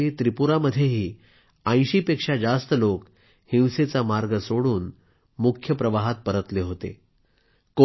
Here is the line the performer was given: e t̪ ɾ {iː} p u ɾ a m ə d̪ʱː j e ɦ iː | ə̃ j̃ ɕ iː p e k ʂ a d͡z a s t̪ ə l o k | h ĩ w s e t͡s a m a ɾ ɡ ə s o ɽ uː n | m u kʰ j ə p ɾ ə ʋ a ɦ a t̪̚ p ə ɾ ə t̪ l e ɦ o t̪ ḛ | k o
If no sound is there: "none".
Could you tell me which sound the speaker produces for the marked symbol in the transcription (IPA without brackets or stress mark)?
i